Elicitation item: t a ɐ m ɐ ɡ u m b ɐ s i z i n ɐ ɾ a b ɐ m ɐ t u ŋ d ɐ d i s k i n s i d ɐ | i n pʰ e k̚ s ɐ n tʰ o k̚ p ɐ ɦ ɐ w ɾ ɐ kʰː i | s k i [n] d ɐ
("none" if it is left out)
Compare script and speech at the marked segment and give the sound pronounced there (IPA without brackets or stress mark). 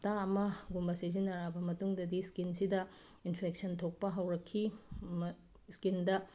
n